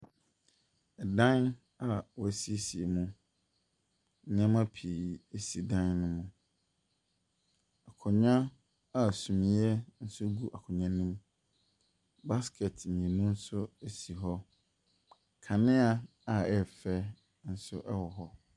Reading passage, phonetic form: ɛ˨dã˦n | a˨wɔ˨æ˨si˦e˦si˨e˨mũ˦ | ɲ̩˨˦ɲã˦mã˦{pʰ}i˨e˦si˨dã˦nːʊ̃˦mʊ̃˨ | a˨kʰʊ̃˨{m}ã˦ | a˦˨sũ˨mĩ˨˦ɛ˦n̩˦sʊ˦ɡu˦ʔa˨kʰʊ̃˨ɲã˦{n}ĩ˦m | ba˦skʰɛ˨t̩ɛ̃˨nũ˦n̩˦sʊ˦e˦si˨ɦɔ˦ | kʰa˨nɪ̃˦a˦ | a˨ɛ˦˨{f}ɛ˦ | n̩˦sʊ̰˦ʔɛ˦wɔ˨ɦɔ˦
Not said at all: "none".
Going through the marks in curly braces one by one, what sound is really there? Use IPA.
pʰ, ɲ, n, f

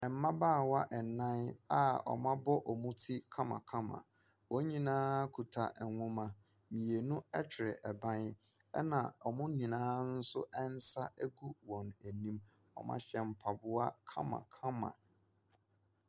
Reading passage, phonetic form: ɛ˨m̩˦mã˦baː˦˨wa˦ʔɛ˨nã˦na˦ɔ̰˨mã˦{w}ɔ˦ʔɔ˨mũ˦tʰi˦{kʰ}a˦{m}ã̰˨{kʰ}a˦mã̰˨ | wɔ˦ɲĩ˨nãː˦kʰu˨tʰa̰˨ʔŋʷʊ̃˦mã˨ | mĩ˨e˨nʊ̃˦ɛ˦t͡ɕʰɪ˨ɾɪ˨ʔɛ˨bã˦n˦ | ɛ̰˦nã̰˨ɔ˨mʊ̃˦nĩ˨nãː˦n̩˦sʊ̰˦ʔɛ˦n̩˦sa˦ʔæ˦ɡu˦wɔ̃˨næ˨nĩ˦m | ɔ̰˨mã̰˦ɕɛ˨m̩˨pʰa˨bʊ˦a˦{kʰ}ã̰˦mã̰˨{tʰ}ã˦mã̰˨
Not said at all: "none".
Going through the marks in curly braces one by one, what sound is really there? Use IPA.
b, kʰ, m, kʰ, kʰ, kʰ

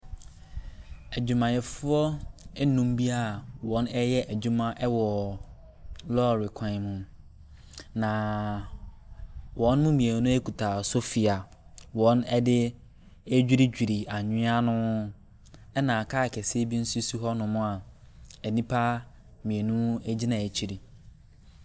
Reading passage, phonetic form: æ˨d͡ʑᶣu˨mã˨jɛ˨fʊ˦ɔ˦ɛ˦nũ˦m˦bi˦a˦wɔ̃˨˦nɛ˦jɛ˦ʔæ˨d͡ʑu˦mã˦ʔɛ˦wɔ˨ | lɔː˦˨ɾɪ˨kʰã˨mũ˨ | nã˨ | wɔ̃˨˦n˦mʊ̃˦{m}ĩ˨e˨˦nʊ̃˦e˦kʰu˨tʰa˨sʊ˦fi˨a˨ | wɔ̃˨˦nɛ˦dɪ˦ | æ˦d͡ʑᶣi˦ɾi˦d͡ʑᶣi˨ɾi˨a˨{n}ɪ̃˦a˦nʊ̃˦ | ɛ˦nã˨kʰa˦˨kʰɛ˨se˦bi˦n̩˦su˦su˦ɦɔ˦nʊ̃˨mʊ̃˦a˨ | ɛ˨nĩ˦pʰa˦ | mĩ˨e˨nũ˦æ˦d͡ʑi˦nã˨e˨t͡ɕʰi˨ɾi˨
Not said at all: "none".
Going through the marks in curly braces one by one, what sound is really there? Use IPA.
m, ɲ

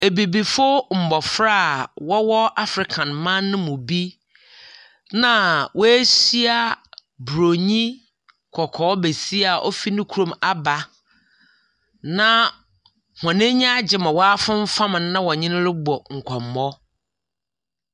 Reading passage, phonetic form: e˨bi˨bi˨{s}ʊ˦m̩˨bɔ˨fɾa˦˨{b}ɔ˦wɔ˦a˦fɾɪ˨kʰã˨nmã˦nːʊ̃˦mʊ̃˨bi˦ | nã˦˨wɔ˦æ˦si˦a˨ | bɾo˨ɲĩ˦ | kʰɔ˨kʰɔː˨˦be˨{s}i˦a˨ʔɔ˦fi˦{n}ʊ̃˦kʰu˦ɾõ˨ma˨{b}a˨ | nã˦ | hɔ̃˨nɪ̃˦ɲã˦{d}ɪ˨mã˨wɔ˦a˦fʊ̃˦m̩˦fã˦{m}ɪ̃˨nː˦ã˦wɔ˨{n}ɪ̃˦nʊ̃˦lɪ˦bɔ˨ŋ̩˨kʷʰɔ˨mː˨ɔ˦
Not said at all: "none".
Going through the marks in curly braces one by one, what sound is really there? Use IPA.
f, w, s, n, b, d͡ʑ, m, ɲ

